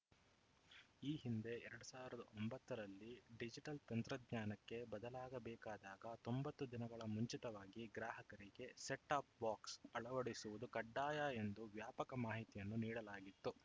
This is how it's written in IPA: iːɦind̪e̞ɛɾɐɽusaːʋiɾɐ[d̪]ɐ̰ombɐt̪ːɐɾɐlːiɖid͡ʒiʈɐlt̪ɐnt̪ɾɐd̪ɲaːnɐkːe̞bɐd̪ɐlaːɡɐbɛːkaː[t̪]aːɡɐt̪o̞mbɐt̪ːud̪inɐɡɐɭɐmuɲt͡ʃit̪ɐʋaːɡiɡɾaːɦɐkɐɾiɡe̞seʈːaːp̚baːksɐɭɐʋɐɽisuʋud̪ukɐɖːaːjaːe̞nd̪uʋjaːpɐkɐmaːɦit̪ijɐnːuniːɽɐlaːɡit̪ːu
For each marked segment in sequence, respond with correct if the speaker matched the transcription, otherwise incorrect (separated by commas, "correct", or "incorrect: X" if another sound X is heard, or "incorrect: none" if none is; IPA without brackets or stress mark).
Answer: correct, incorrect: d̪